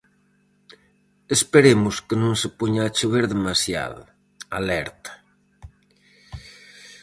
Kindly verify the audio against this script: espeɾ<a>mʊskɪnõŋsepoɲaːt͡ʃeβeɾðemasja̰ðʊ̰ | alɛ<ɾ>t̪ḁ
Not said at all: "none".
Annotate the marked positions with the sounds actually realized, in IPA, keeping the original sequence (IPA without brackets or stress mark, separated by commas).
e, ɾ